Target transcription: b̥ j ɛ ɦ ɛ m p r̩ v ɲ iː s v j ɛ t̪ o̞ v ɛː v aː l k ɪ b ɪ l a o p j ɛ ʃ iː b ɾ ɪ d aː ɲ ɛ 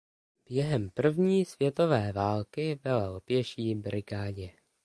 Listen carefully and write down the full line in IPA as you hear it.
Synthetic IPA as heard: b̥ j ɛ ɦ ɛ m p r̩ v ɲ iː s v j ɛ t̪ o̞ v ɛː v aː l k ɪ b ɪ l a o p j ɛ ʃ iː b ɾ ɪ ɡ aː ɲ ɛ

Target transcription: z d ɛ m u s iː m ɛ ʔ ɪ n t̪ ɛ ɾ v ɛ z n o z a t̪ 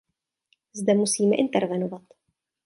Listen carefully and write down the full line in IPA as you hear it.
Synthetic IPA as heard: z d ɛ m u s iː m ɛ ʔ ɪ n t̪ ɛ ɾ v ɛ n o v a t̪

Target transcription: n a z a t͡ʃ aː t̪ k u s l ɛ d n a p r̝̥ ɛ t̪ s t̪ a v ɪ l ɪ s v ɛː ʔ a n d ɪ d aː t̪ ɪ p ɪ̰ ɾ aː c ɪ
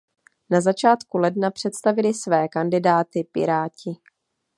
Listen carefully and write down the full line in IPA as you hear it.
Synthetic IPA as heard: n a z a t͡ʃ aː t̪ k u l ɛ d n a p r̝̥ ɛ t̪ s t̪ a v ɪ l ɪ s v ɛː k a n d ɪ d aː t̪ ɪ p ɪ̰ ɾ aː c ɪ

